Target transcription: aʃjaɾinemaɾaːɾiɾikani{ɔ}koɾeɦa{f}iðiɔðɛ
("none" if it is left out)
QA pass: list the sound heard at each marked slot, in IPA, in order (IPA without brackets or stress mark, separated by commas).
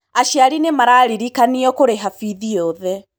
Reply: ɔ, f